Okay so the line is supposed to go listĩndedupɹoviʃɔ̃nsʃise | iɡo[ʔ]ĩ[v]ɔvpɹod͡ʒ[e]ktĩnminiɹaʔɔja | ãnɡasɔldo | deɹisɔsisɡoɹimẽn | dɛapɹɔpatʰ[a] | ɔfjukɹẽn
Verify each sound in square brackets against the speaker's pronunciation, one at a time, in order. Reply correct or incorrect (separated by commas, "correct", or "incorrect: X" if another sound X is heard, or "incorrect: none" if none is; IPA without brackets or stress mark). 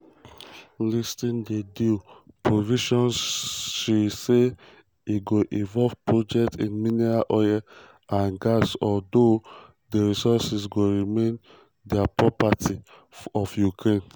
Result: correct, correct, incorrect: ɛ, incorrect: i